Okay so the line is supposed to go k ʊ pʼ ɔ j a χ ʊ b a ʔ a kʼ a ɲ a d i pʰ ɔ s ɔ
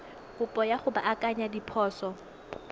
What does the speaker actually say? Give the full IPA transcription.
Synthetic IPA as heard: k ʊ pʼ ɔ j a χ ʊ b a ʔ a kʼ a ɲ a d i pʰ ɔː s ɔ